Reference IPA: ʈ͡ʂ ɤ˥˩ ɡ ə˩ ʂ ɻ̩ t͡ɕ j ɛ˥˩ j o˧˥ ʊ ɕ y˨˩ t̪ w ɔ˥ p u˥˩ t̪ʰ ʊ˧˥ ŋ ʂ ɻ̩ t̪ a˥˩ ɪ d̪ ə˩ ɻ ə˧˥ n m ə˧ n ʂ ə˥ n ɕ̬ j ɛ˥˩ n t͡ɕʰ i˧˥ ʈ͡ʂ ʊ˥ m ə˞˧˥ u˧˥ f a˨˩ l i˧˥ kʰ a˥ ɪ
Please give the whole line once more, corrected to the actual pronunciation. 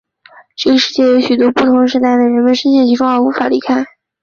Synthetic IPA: ʈ͡ʂ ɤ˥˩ ɡ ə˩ ʂ ɻ̩ t͡ɕ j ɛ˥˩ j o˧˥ ʊ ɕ y˨˩ t̪ w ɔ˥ p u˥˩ t̪ʰ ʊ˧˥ ŋ ʂ ɻ̩ t̪ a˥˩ ɪ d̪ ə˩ ɻ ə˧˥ n m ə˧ n ʂ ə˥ n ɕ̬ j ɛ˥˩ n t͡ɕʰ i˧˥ ʈ͡ʂ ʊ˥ ŋ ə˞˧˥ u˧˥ f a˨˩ l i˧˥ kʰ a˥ ɪ